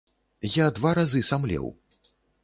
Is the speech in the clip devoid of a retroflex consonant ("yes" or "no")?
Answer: yes